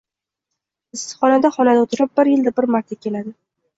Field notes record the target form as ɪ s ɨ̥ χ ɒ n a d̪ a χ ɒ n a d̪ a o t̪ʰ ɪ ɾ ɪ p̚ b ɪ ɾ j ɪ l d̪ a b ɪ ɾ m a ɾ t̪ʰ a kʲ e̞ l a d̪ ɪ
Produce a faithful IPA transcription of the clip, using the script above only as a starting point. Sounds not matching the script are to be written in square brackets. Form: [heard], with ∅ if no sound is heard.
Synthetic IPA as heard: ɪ s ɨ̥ χ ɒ n a d̪ a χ ɒ n a d̪ a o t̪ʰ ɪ ɾ ɪ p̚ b ɪ ɾ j ɪ l d̪ a b ɪ ɾ m a ɾ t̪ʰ a kʲ e̞ l a d̪ ɪ